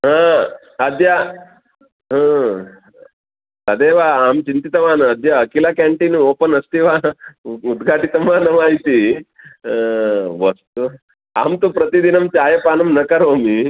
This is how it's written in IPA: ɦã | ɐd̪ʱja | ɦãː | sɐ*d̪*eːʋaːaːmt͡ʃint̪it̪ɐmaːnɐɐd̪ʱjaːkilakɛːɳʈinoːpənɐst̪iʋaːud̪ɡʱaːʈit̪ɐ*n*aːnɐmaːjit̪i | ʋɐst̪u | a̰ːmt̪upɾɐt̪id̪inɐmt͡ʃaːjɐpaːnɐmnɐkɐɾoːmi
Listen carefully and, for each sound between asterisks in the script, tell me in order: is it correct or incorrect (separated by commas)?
correct, incorrect